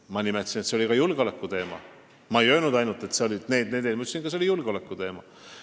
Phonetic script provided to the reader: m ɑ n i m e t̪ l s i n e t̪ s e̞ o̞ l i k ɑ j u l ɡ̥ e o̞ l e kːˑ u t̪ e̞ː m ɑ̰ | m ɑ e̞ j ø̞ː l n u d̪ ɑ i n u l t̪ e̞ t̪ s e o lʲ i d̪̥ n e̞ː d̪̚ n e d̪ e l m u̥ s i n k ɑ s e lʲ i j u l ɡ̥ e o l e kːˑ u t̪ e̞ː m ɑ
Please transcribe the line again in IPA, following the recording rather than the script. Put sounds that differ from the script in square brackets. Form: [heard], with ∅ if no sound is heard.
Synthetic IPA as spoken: m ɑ n i m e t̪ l s i n e t̪ s e̞ o̞ l i k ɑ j u l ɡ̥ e o̞ l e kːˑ u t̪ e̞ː m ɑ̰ | m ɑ e̞ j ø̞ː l n u d̪ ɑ [j] n u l t̪ e̞ t̪ s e o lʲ i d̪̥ n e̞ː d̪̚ n e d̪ e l m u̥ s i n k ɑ s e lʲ i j u l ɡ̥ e o l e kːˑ u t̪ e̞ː m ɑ